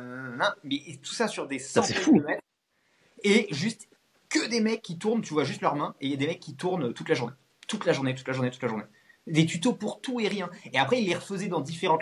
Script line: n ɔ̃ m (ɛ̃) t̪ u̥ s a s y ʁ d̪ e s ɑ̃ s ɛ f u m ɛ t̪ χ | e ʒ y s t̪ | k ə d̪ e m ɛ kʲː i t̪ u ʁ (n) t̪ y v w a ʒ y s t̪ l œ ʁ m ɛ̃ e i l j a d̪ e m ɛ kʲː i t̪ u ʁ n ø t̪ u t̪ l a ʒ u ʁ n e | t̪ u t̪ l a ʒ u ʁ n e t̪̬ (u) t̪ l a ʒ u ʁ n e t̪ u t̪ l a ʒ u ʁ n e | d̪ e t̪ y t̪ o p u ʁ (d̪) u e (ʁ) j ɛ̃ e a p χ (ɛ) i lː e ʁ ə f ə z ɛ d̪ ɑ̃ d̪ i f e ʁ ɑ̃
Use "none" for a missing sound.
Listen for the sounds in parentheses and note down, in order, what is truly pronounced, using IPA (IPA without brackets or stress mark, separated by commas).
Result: ɛ, n, u, t̪, ʁ, ɛ